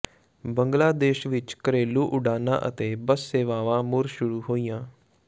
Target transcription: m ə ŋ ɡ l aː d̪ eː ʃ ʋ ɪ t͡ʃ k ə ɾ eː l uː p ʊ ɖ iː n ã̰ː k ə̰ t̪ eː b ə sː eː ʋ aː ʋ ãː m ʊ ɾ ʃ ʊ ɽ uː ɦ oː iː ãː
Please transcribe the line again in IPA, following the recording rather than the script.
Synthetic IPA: b ə ŋ ɡ l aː d̪ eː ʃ ʋ ɪ t͡ʃ k ə ɾ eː l uː ʔ ʊ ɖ aː n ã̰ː ʔ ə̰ t̪ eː b ə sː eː ʋ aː ʋ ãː m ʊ ɾ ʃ ʊ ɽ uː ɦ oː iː ãː

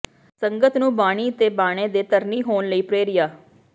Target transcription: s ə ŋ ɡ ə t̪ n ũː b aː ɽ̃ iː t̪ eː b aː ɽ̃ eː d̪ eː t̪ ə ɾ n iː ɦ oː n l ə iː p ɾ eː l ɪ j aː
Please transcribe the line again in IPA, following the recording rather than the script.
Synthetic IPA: s ə ŋ ɡ ə t̪ n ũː b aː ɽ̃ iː t̪ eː b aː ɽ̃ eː d̪ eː t̪ ə ɾ n iː ɦ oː n l ə iː p ɾ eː ɾ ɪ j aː

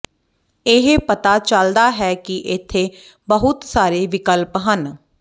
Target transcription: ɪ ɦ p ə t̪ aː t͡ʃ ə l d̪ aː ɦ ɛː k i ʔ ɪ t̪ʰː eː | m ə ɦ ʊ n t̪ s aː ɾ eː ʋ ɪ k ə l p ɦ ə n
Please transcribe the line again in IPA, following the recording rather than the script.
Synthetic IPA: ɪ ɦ p ə t̪ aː t͡ʃ ə l d̪ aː ɦ ɛː k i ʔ ɪ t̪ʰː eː | b ə ɦ ʊ t̪ s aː ɾ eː ʋ ɪ k ə l p ɦ ə n

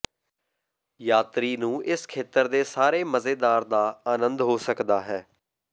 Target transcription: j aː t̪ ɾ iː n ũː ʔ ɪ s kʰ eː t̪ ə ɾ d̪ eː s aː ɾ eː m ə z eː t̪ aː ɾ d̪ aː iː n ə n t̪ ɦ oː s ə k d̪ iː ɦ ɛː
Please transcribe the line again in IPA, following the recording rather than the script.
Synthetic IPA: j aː t̪ ɾ iː n ũː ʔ ɪ s kʰ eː t̪ ə ɾ d̪ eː s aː ɾ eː m ə z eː d̪ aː ɾ d̪ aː aː n ə n d̪ ɦ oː s ə k d̪ aː ɦ ɛː

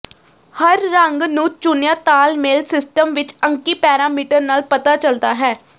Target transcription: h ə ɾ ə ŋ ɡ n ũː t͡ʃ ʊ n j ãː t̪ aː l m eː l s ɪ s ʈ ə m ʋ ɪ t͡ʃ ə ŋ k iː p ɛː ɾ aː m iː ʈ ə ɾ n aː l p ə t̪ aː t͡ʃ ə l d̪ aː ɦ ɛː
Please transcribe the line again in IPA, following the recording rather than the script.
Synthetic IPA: h ə ɾː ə ŋ ɡ n ũː t͡ʃ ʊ n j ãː t̪ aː l m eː l s ɪ s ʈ ə m ʋ ɪ t͡ʃ ə ŋ k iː p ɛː ɾ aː m iː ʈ ə ɾ n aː l p ə t̪ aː t͡ʃ ə l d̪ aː ɦ ɛː

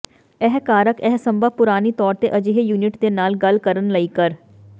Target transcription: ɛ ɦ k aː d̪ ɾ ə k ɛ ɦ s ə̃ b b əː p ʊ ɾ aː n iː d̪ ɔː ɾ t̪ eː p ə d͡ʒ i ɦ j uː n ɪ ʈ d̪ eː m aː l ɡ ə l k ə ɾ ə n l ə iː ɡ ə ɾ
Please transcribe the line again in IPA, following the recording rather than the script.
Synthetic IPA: ɛ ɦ k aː ɾ ə k ɛ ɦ s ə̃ m b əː p ʊ ɾ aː n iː t̪ ɔː ɾ t̪ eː ʔ ə d͡ʒ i ɦ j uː n ɪ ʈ d̪ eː n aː l ɡ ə l k ə ɾ ə n l ə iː k ə ɾ

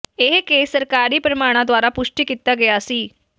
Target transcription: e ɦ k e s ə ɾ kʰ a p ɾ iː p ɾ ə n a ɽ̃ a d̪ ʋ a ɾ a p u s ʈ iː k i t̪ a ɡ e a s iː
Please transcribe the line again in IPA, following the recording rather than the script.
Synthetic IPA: e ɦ k e s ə ɾ k a ɾ iː p ɾ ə m a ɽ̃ a d̪ ʋ a ɾ a p u ʂ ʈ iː k i t̪ a ɡ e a s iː

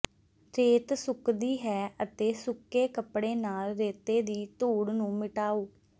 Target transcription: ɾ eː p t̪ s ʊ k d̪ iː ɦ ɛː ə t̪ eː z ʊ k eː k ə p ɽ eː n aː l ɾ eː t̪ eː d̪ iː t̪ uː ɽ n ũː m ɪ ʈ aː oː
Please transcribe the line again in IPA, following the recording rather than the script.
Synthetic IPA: ɾ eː t̪ s ʊ k d̪ iː ɦ ɛː ə t̪ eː s ʊ k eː k ə p ɽ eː n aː l ɾ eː t̪ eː d̪ iː t̪ uː ɽ n ũː m ɪ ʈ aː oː

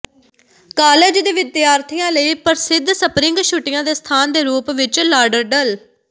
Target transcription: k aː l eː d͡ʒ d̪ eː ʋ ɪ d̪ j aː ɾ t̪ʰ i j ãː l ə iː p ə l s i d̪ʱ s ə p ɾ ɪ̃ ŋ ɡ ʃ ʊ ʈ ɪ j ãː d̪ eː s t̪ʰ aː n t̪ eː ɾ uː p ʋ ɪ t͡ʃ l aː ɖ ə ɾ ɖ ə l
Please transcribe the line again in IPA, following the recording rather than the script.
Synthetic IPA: k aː l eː d͡ʒ d̪ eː ʋ ɪ d̪ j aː ɾ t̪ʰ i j ãː l ə iː p ə ɾ s ɪ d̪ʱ s ə p ɾ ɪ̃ ŋ ɡ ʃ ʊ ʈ ɪ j ãː d̪ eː s t̪ʰ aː n d̪ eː ɾ uː p ʋ ɪ t͡ʃ l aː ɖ ə ɾ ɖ ə l

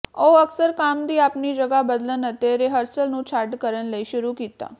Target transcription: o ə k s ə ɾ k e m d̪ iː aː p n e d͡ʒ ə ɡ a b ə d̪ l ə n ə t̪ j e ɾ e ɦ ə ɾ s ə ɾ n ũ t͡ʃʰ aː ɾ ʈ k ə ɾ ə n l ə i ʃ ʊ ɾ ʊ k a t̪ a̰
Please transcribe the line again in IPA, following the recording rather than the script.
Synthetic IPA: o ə k s ə ɾ k a m d̪ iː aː p n i d͡ʒ ə ɡ a b ə d̪ l ə n ə t̪ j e ɾ e ɦ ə ɾ s ə l n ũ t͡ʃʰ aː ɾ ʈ k ə ɾ ə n l ə i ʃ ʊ ɾ u k i t̪ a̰

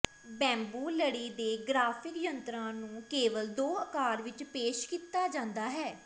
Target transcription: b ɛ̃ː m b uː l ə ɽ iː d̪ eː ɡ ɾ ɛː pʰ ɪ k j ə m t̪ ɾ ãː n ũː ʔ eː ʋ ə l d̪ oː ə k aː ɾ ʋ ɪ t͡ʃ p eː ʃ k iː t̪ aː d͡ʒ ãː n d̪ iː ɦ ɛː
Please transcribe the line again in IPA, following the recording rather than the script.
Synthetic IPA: b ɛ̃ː m b uː l ə ɽ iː d̪ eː ɡ ɾ aː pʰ ɪ k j ə n t̪ ɾ ãː n ũː k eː ʋ ə l d̪ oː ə k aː ɾ ʋ ɪ t͡ʃ p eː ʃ k iː t̪ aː d͡ʒ ãː n d̪ aː ɦ ɛː

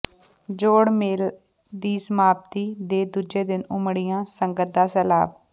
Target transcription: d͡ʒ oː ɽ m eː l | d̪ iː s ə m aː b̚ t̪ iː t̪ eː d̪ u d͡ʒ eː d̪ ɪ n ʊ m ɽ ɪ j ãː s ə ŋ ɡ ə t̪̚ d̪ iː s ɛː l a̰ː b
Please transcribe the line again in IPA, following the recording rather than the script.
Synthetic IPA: d͡ʒ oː ɽ m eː l | d̪ iː s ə m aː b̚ t̪ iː d̪ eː d̪ u d͡ʒ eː d̪ ɪ n ʊ m ɽ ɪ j ãː s ə ŋ ɡ ə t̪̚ d̪ aː s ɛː l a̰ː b

